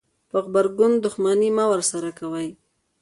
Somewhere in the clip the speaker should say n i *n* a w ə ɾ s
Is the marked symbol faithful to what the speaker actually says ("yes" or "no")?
no